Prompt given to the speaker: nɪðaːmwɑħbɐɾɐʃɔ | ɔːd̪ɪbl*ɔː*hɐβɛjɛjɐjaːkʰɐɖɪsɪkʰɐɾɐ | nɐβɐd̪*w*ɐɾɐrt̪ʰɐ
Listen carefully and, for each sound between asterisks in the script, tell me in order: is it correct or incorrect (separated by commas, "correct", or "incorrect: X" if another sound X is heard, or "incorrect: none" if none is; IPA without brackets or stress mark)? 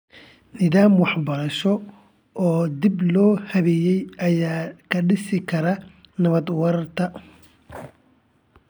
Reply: correct, correct